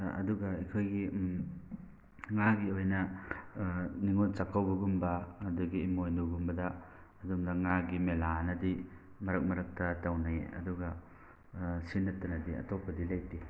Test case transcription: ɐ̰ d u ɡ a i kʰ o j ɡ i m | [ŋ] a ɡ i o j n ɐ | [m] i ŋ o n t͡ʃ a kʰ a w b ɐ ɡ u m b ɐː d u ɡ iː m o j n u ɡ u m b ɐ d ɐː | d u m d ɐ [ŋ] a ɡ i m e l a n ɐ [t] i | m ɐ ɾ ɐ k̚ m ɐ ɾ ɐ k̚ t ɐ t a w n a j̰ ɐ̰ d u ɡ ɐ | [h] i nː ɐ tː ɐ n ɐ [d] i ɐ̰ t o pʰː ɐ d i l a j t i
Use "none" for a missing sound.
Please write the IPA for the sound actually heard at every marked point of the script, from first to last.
ŋ, n, ŋ, d, s, d

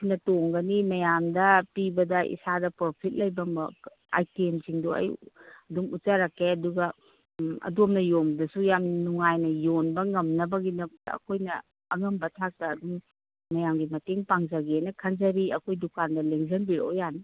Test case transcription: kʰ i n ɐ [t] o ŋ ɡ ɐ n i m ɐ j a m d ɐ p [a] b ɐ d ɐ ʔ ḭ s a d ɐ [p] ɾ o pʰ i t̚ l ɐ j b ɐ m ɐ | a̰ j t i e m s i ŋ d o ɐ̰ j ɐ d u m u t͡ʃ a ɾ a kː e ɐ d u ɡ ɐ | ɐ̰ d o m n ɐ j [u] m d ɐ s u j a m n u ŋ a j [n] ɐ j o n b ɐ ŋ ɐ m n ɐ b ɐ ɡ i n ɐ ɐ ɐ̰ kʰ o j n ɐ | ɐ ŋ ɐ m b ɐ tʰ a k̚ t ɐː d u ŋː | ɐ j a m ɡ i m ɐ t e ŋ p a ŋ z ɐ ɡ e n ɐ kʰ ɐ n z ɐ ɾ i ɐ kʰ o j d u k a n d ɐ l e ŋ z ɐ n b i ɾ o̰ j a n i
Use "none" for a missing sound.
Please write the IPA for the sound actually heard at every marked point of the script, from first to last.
t, i, p, o, n

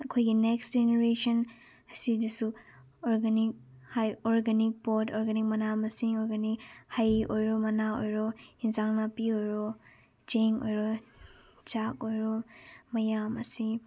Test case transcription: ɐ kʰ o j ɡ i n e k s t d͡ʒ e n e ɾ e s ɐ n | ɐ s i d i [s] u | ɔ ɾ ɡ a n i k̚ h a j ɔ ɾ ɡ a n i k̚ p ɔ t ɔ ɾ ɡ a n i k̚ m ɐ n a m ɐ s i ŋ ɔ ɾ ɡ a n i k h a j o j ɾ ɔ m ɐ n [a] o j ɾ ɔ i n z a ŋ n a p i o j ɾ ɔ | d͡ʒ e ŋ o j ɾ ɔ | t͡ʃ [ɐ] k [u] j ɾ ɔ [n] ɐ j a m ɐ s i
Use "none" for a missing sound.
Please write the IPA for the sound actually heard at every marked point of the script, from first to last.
s, a, a, o, m

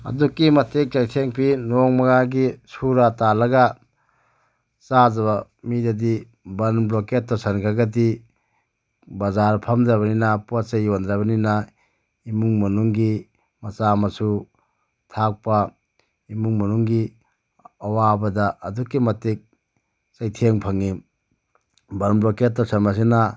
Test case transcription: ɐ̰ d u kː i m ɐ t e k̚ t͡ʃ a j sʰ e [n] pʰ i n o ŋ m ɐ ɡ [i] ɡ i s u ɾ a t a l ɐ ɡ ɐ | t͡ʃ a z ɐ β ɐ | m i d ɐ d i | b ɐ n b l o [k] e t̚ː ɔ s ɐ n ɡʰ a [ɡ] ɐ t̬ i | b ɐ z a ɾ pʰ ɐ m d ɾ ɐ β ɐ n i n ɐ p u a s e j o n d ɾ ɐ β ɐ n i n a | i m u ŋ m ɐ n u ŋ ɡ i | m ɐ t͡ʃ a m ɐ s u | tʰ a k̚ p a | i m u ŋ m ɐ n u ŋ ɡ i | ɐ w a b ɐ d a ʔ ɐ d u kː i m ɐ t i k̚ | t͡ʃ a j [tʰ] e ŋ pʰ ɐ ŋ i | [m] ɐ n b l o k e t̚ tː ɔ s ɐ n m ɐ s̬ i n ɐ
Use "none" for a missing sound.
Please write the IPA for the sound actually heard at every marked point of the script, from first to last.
ŋ, a, k, ɡ, tʰ, b

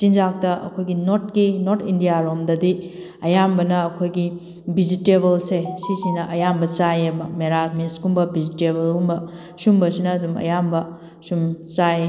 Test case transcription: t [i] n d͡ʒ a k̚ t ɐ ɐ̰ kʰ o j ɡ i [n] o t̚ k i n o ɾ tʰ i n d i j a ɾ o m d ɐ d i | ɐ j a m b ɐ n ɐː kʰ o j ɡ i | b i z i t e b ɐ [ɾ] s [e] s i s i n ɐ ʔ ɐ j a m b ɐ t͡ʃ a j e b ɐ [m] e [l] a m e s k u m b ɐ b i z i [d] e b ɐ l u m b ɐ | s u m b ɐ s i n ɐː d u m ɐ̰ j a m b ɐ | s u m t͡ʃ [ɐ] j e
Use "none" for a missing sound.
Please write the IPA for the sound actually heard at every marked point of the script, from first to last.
i, n, l, e, m, ɾ, t, a

